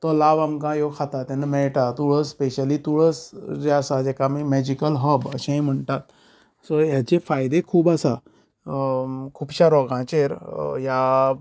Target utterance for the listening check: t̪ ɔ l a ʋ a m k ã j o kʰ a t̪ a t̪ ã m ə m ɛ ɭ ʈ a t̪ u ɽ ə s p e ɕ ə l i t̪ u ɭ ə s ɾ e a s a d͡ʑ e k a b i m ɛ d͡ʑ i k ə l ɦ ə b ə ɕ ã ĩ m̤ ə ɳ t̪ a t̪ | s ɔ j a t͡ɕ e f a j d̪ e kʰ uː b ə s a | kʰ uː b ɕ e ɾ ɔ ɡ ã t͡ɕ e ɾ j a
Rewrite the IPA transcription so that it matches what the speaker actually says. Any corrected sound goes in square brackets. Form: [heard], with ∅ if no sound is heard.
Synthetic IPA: t̪ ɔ l a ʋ a m k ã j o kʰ a t̪ a t̪ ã [n] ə m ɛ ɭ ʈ a t̪ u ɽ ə s p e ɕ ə l i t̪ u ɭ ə s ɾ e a s a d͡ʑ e k a [m] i m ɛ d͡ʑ i k ə l ɦ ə b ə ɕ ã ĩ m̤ ə ɳ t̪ a t̪ | s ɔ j a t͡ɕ e f a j d̪ e kʰ uː b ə s a | kʰ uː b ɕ [a] ɾ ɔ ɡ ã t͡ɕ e ɾ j a